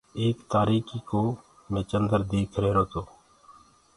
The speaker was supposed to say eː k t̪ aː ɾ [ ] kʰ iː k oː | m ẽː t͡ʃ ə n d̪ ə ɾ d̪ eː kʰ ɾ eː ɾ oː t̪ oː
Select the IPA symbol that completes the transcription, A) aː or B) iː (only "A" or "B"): B